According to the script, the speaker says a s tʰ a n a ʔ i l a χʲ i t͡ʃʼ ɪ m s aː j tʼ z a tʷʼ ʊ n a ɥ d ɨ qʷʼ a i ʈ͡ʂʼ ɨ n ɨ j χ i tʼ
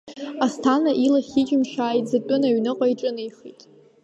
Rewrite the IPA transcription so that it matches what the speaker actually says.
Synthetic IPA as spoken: a s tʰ a n a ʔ i l a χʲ i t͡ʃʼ ɪ m ʃ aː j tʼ z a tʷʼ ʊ n a ɥ n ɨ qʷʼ a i ʈ͡ʂʼ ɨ n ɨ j χ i tʼ